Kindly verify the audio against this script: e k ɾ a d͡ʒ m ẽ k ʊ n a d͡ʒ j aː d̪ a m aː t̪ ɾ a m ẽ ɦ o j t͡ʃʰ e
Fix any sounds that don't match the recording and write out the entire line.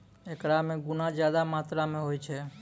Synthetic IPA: e k ɾ a m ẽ ɡ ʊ n a d͡ʒ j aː d̪ a m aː t̪ ɾ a m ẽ ɦ o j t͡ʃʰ e